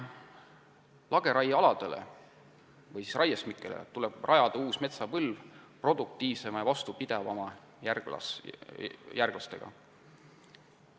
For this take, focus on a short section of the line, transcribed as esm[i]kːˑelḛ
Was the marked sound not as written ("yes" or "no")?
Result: no